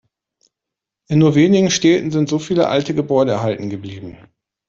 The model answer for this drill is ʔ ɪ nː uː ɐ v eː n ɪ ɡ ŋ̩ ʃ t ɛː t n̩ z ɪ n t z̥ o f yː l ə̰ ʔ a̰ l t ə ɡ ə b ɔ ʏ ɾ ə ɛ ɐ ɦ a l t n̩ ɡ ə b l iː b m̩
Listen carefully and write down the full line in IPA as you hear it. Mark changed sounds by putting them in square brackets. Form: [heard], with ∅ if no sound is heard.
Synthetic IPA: ʔ ɪ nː uː ɐ v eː n ɪ ɡ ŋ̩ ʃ t ɛː t n̩ z ɪ n t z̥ o f [iː] l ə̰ ʔ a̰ l t ə ɡ ə b ɔ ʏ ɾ ə ɛ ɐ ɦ a l t n̩ ɡ ə b l iː b m̩